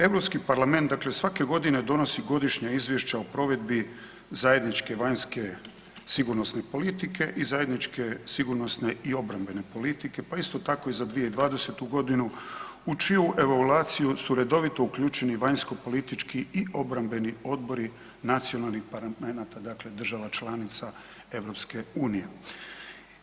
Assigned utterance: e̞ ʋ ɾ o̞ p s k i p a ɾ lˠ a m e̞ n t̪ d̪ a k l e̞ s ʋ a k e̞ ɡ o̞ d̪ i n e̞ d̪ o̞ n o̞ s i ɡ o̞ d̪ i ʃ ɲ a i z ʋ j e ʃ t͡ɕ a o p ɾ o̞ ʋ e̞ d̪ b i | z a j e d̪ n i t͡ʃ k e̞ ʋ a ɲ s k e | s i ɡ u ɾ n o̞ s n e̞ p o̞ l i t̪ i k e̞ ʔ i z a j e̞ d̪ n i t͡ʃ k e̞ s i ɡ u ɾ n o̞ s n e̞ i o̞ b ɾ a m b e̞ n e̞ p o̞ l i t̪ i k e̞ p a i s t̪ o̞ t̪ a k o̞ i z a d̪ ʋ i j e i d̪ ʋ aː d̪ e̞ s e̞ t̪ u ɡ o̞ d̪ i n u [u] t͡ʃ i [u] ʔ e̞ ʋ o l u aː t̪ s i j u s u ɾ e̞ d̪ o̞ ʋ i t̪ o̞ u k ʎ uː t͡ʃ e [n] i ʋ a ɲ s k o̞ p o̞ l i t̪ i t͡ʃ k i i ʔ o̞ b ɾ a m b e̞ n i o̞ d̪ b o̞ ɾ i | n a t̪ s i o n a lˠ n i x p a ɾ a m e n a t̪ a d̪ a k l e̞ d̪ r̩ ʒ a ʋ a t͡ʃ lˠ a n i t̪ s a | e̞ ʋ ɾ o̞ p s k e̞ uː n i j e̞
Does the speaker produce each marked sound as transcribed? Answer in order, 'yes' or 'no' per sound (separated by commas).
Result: yes, yes, yes